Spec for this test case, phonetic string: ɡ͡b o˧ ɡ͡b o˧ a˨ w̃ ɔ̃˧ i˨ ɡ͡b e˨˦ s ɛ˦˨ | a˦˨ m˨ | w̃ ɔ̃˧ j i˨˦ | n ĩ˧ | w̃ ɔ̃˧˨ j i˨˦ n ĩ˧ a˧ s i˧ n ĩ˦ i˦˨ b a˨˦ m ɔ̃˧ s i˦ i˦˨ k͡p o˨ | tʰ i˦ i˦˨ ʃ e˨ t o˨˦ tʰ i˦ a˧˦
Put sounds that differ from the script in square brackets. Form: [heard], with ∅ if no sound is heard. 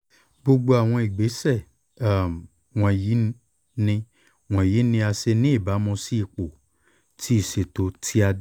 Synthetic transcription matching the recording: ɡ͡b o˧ ɡ͡b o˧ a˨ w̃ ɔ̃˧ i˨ ɡ͡b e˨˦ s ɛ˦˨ | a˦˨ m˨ | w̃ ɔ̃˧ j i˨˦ | n ĩ˧ | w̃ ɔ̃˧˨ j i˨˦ n ĩ˧ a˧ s [e˧] n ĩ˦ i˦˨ b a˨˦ m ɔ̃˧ s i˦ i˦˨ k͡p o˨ | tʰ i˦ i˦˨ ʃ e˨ t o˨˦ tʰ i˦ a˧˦